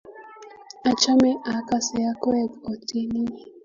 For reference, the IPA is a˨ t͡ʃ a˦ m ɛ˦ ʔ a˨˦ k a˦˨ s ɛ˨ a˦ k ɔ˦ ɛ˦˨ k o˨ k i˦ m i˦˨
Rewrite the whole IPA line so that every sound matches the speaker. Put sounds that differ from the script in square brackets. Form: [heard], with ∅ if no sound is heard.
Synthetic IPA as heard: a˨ t͡ʃ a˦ m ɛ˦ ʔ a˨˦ k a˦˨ s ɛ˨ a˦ k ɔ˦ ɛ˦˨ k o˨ [t] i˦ [n] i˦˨